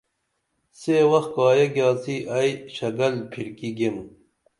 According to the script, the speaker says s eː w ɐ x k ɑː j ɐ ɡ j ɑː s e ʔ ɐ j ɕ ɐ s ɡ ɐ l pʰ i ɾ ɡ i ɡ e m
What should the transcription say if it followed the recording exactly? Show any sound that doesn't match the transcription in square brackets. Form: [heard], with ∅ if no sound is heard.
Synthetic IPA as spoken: s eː w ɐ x k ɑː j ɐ ɡ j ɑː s [i] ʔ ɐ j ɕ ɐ [∅] ɡ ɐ l pʰ i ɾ [k] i ɡ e m